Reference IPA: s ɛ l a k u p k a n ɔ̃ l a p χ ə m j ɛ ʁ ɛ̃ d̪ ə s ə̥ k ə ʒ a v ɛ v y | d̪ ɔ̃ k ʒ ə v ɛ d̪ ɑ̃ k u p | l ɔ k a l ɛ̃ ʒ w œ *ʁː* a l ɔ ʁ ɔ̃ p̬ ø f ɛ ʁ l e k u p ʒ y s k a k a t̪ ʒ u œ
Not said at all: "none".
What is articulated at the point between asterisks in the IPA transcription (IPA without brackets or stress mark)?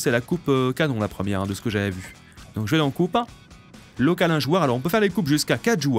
ʁ